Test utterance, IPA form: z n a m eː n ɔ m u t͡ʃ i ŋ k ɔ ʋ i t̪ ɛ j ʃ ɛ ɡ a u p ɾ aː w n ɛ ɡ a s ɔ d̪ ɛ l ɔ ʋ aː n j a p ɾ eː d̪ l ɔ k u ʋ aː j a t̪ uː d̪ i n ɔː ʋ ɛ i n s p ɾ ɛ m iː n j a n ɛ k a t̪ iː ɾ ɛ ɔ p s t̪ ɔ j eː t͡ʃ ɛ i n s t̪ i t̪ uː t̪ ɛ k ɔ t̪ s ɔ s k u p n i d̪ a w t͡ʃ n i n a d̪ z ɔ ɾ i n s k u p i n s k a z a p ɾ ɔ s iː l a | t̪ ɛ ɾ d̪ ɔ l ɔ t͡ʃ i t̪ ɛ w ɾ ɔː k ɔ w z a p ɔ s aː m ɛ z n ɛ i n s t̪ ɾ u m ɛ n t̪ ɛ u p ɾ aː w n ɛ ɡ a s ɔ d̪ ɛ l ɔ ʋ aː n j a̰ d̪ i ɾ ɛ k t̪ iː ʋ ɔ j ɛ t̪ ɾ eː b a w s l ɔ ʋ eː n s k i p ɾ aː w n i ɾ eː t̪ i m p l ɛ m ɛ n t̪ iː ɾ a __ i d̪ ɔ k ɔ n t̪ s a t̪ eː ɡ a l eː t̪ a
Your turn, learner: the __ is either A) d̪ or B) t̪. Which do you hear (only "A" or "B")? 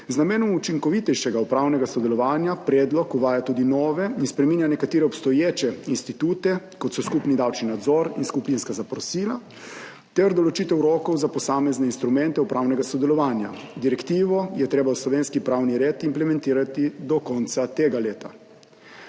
B